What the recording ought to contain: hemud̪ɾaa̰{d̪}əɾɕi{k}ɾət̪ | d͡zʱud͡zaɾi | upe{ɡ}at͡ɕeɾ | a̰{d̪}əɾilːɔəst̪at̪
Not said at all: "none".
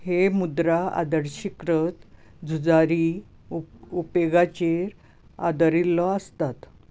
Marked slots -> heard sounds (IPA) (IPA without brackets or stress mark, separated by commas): d̪, k, ɡ, d̪